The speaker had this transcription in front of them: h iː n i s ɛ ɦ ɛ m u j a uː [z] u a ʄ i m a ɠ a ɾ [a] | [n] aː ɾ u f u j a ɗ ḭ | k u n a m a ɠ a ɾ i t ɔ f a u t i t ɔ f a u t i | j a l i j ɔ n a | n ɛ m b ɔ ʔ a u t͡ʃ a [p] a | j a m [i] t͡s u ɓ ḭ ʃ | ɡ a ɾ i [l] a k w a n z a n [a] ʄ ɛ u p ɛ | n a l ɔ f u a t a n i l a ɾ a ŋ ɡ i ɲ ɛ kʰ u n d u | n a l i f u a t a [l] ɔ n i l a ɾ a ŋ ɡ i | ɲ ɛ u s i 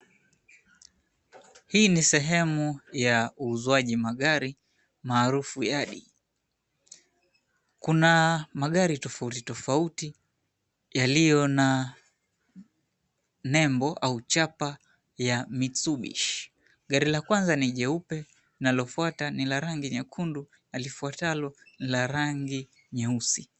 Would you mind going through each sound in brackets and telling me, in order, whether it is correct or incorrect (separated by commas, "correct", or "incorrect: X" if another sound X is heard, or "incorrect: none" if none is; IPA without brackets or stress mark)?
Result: correct, incorrect: i, incorrect: m, correct, correct, correct, incorrect: i, correct